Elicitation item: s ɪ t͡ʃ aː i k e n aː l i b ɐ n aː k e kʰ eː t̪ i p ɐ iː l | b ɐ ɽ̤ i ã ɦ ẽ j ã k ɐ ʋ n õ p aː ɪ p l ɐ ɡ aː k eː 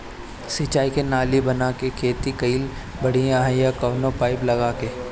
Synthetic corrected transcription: s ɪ t͡ʃ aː i k e n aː l i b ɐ n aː k e kʰ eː t̪ i k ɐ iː l | b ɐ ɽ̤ i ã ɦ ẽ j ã k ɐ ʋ n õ p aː ɪ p l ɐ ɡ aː k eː